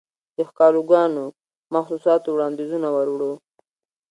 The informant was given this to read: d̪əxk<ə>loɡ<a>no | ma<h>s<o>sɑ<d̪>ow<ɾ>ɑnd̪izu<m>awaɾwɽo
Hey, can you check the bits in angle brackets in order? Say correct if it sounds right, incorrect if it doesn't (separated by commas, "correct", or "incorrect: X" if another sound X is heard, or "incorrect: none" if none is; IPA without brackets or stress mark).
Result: incorrect: ɑ, incorrect: ɑ, incorrect: x, incorrect: u, incorrect: t̪, incorrect: ɽ, incorrect: n